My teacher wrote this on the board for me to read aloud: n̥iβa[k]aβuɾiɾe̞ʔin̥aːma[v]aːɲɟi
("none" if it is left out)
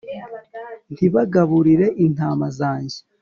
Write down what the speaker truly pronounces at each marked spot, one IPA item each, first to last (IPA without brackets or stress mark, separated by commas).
ɡ, z